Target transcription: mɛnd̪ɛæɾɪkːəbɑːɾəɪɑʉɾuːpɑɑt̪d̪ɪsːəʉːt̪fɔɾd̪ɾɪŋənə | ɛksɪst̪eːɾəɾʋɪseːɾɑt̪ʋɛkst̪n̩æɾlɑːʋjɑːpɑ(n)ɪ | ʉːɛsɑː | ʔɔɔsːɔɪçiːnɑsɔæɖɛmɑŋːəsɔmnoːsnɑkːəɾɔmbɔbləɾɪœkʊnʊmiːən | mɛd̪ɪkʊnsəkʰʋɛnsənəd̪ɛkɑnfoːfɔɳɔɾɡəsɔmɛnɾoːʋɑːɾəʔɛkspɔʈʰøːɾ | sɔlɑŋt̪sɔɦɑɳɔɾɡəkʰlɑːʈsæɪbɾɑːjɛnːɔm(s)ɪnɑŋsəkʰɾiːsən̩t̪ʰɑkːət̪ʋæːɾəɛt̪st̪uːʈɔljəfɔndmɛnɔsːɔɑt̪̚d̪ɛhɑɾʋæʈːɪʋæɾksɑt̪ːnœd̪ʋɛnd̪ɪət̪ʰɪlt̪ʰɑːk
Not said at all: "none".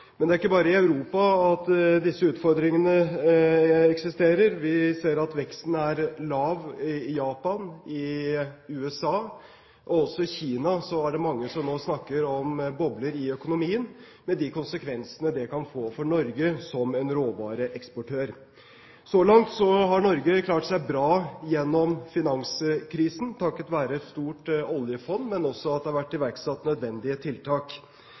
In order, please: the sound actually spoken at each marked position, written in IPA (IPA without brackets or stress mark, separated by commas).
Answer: n, f